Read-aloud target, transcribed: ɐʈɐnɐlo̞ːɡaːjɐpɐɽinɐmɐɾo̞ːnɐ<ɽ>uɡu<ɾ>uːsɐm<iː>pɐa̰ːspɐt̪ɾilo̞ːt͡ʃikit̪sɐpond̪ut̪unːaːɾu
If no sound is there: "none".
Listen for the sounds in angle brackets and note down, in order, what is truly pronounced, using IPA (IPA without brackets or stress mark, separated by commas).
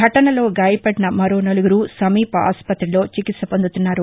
l, ɾ, iː